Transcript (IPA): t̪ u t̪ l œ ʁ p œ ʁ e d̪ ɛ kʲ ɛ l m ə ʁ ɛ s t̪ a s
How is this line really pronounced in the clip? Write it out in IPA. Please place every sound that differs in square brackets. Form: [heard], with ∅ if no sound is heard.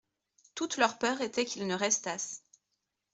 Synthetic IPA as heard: t̪ u t̪ l œ ʁ p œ ʁ e [t̪] ɛ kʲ [i] l [n] ə ʁ ɛ s t̪ a s